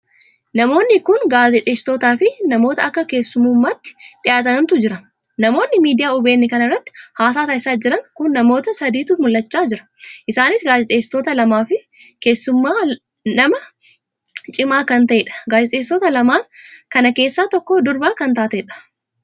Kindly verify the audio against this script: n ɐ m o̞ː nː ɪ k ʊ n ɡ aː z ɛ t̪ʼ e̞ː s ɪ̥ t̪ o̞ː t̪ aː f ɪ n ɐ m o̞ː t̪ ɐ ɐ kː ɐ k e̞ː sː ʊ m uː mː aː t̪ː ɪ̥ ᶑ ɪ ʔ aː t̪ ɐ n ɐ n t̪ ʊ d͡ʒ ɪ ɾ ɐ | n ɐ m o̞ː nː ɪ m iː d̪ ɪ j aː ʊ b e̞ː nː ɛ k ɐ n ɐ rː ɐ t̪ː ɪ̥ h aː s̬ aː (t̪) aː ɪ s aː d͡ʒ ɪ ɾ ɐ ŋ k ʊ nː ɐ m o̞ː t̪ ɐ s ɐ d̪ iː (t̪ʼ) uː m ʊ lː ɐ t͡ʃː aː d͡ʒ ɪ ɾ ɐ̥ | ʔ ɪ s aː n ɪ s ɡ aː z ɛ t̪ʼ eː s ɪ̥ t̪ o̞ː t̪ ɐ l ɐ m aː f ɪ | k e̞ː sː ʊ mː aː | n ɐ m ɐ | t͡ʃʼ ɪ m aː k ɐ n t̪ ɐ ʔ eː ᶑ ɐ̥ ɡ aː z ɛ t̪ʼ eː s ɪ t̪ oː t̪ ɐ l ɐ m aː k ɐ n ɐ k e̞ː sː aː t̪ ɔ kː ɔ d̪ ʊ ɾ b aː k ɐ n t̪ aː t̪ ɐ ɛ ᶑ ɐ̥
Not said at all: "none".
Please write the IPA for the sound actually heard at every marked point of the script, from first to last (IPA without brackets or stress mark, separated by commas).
t̪, t̪